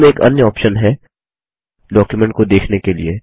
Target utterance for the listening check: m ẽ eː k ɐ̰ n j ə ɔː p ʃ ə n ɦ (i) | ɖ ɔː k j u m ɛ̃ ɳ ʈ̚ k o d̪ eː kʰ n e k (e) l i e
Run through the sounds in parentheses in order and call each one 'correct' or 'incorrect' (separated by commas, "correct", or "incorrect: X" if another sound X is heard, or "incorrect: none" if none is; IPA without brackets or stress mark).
incorrect: ɛ, correct